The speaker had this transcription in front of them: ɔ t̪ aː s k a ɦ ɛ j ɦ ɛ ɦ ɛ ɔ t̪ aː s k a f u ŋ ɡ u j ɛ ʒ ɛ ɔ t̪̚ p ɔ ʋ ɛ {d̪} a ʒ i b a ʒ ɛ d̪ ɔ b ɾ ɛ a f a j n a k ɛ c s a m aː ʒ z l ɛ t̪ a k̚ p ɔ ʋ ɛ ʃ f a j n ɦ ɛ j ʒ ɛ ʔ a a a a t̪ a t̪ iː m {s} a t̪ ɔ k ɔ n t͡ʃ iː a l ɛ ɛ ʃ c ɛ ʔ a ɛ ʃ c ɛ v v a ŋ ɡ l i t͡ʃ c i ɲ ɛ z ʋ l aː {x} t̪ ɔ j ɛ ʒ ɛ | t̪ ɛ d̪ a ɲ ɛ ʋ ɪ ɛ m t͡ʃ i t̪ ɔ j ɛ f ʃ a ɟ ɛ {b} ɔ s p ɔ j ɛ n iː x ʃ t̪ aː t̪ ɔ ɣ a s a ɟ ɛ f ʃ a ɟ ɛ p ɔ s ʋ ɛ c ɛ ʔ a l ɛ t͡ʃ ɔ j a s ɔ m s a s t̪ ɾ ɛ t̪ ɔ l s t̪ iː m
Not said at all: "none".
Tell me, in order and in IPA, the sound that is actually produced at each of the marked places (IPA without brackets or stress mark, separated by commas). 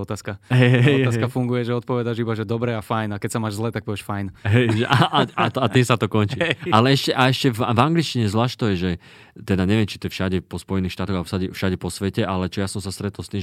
d̪, s, ʃ, p